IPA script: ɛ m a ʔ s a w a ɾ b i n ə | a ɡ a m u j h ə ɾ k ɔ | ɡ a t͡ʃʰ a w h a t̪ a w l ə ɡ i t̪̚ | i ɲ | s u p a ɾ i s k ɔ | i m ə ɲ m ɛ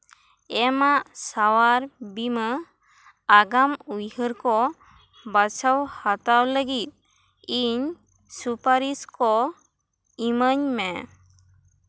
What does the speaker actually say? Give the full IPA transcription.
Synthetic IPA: ɛ m a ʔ s a w a ɾ b i m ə | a ɡ a m u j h ə ɾ k ɔ | b a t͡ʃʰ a w h a t̪ a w l ə ɡ i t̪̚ | i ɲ | s u p a ɾ i s k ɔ | i m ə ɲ m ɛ